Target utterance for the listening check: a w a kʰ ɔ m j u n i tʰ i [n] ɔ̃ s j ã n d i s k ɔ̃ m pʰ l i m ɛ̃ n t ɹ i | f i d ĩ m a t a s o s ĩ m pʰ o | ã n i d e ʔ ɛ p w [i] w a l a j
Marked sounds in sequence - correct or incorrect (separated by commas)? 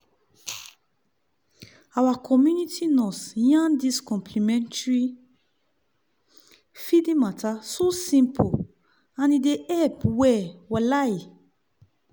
correct, incorrect